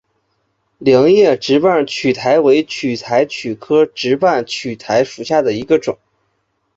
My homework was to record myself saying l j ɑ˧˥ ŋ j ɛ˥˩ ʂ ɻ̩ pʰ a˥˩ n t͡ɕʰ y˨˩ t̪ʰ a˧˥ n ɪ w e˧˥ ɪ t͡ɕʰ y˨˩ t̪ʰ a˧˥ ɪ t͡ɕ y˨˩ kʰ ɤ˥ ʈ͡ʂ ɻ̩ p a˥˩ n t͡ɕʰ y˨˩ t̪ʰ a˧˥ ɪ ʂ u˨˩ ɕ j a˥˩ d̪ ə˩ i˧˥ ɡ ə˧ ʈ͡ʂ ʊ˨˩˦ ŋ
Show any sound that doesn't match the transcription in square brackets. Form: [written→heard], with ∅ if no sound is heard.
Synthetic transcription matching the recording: l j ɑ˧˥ ŋ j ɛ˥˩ [ʂ→ʈ͡ʂ] ɻ̩ [pʰ→p] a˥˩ n t͡ɕʰ y˨˩ t̪ʰ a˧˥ [n→∅] ɪ w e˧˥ ɪ t͡ɕʰ y˨˩ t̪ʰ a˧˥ ɪ [t͡ɕ→t͡ɕʰ] y˨˩ kʰ ɤ˥ ʈ͡ʂ ɻ̩ p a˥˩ n t͡ɕʰ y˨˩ t̪ʰ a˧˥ ɪ ʂ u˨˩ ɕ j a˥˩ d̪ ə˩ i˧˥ ɡ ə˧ ʈ͡ʂ ʊ˨˩˦ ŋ